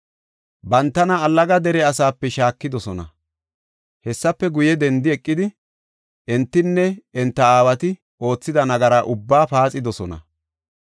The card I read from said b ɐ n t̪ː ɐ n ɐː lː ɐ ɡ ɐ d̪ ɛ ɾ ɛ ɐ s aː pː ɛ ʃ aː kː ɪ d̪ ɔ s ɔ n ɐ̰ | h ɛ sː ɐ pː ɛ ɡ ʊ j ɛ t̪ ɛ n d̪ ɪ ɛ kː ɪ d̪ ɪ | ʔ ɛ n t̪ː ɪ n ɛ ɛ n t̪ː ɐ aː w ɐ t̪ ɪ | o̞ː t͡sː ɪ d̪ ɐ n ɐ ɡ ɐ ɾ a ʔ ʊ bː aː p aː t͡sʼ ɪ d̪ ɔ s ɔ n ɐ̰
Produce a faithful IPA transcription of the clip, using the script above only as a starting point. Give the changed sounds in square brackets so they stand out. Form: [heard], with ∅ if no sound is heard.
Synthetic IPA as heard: b ɐ n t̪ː ɐ n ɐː lː ɐ ɡ ɐ d̪ ɛ ɾ ɛ ɐ s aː pː ɛ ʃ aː kː ɪ d̪ ɔ s ɔ n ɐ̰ | h ɛ sː ɐ pː ɛ ɡ ʊ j ɛ [d̪] ɛ n d̪ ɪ ɛ [kʼː] ɪ d̪ ɪ | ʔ ɛ n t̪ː ɪ [nː] ɛ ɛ n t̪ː ɐ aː w ɐ t̪ ɪ | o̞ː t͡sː ɪ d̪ ɐ n ɐ ɡ ɐ ɾ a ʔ ʊ bː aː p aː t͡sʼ ɪ d̪ ɔ s ɔ n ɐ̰